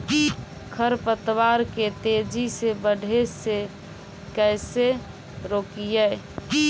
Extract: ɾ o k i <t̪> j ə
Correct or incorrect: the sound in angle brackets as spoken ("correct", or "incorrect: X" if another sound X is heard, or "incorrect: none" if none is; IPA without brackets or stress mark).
incorrect: none